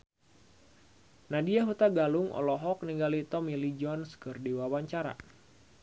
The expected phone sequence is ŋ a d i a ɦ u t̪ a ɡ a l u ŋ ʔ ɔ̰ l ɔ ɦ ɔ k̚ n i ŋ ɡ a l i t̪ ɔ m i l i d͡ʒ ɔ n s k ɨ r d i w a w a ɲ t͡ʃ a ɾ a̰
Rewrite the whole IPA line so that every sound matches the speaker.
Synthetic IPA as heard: n a d i a ɦ u t̪ a ɡ a l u ŋ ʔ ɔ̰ l ɔ ɦ ɔ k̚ n i ŋ ɡ a l i t̪ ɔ m i l i d͡ʒ ɔ n s k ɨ r d i w a w a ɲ t͡ʃ a ɾ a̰

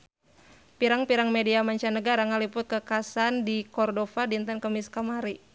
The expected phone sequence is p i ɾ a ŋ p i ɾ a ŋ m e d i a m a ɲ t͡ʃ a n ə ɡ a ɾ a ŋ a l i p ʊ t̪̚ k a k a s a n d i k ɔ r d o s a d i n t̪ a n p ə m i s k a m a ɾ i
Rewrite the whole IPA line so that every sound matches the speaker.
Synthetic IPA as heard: p i ɾ a ŋ p i ɾ a ŋ m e d i a m a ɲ t͡ʃ a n ə ɡ a ɾ a ŋ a l i p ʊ t̪̚ k ə k a s a n d i k ɔ r d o f a d i n t̪ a n k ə m i s k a m a ɾ i

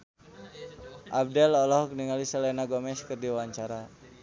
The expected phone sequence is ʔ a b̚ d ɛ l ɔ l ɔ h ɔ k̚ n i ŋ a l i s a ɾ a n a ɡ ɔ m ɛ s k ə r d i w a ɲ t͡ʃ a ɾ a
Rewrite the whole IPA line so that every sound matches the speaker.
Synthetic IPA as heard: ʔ a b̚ d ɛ l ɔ l ɔ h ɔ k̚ n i ŋ a l i s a l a n a ɡ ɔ m ɛ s k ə r d i w a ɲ t͡ʃ a ɾ a

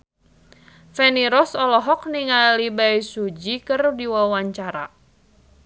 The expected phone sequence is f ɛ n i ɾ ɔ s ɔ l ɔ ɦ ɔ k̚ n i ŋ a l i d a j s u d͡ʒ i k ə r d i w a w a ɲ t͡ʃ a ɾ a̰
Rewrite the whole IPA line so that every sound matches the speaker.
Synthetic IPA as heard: f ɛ n i ɾ ɔ s ɔ l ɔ ɦ ɔ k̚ n i ŋ a l i b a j s u d͡ʒ i k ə r d i w a w a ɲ t͡ʃ a ɾ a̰

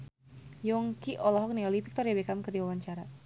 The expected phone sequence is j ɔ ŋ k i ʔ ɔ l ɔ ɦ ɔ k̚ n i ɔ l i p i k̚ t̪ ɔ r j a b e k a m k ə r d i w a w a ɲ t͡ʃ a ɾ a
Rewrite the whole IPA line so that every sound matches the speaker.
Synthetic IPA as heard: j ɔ ŋ k i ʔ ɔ l ɔ ɦ ɔ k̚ n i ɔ l i p i k̚ t̪ ɔ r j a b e k a m k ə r d i w a w a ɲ t͡ʃ a ɾ a

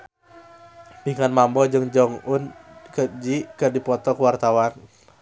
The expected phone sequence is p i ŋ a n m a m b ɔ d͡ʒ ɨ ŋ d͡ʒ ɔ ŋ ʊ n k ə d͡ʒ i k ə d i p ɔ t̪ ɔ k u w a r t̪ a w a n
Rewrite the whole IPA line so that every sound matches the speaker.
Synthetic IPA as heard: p i ŋ a n m a m b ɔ d͡ʒ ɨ ŋ d͡ʒ ɔ ŋ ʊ n k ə d͡ʒ i k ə d i p ɔ t̪ ɔ k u w a r t̪ a w a n

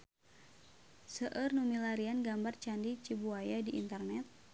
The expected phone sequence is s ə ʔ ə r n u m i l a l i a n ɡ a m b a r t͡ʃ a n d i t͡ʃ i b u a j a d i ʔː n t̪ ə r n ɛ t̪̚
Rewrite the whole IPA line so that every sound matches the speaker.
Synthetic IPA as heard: s ə ʔ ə r n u m i l a ɾ i a n ɡ a m b a r t͡ʃ a n d i t͡ʃ i b u a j a d i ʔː n t̪ ə r n ɛ t̪̚

